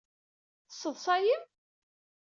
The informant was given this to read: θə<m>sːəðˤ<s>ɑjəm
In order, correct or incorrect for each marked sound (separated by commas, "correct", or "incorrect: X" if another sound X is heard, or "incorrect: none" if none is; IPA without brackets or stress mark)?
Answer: incorrect: none, correct